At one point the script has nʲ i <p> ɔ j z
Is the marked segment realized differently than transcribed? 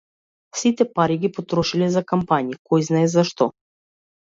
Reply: yes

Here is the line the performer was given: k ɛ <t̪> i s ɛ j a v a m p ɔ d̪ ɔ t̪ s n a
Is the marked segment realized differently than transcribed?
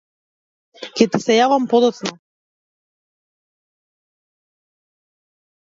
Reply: no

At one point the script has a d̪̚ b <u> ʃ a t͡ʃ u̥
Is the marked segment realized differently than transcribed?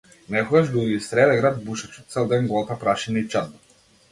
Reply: no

